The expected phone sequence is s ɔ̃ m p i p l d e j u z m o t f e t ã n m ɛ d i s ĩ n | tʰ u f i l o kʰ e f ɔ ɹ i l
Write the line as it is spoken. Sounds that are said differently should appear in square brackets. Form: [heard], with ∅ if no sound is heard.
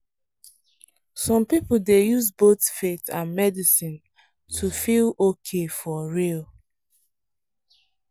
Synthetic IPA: s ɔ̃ m p i p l d e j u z [b] o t f e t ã n m ɛ d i s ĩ n | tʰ u f i l o kʰ e f ɔ ɹ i l